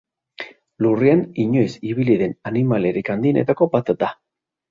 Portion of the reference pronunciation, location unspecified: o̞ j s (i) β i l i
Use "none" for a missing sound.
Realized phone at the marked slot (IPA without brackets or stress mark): i